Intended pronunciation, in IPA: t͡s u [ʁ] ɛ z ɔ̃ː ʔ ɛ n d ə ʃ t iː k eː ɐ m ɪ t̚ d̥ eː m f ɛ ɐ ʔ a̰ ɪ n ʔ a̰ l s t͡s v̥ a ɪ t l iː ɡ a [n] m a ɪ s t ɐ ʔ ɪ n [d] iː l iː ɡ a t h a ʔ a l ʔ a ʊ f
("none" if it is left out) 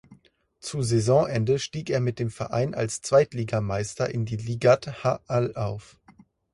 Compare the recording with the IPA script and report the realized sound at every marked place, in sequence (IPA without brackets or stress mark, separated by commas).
z, none, d